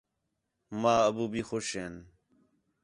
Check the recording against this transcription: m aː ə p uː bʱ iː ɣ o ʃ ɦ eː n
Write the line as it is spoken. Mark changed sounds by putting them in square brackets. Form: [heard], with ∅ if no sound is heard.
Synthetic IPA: m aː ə [b] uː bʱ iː [x] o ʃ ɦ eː n